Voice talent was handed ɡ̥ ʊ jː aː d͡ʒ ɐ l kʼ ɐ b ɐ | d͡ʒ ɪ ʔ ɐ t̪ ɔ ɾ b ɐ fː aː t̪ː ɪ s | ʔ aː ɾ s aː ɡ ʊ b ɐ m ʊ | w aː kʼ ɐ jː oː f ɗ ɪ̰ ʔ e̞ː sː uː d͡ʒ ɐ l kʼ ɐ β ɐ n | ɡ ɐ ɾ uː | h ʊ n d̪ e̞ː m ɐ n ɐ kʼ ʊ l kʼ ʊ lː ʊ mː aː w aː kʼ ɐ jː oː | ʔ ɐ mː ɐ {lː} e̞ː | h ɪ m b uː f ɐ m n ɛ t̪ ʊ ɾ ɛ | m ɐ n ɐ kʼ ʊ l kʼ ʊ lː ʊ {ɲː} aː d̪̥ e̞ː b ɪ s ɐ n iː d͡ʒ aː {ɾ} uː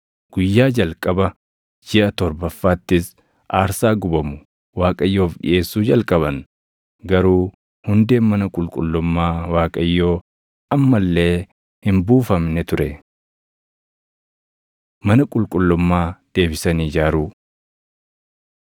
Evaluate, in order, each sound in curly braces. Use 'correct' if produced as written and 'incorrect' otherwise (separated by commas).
correct, incorrect, correct